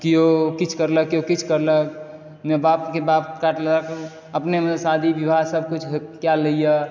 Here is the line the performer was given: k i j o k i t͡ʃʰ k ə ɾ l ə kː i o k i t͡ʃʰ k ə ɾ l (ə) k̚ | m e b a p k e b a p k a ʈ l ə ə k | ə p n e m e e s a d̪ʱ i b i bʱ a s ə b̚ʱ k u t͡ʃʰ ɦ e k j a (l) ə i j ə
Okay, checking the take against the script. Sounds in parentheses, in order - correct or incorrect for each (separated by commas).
correct, correct